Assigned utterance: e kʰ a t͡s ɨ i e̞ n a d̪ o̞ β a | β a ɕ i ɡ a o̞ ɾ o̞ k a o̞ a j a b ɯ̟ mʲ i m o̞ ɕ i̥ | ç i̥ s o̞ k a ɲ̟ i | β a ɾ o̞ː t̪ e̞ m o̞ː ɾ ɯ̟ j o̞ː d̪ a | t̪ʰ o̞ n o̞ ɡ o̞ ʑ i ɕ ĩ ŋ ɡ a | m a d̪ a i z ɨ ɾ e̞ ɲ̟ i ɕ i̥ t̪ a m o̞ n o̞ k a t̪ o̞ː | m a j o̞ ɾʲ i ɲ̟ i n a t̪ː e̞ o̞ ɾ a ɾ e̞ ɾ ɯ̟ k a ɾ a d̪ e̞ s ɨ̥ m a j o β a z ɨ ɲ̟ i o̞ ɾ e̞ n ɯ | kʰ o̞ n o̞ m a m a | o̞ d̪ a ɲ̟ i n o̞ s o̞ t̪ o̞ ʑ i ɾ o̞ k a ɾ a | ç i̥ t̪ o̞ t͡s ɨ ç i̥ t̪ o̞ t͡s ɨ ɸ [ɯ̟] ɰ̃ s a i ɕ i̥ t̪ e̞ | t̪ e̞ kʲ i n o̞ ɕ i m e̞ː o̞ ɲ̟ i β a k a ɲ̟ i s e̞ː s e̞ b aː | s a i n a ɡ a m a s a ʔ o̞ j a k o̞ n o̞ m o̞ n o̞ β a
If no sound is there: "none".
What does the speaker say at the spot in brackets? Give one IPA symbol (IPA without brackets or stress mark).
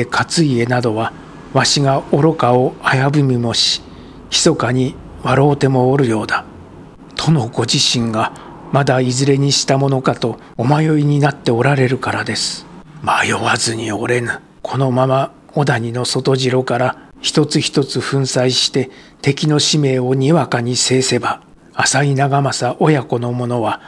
ɯ̟̃